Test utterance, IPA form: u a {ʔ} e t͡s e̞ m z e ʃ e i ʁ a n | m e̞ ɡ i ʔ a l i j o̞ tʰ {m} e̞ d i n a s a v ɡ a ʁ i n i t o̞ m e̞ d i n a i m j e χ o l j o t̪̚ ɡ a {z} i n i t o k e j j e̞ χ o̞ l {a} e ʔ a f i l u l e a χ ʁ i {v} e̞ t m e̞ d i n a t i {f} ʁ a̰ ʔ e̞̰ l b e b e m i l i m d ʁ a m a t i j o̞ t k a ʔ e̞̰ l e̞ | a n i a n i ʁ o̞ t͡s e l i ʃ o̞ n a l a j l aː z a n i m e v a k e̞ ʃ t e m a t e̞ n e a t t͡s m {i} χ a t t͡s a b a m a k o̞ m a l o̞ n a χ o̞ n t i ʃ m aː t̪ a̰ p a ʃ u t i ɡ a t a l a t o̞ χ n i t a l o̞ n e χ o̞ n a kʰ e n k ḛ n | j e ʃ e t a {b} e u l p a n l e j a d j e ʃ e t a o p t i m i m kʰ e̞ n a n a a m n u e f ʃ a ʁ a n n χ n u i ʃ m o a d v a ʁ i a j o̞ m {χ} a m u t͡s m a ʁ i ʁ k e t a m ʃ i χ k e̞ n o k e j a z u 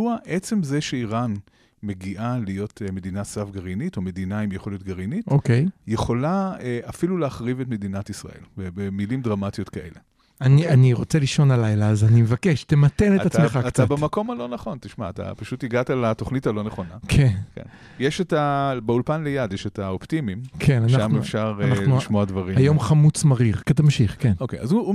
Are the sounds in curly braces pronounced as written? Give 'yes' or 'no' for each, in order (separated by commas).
yes, yes, no, yes, yes, no, no, yes, yes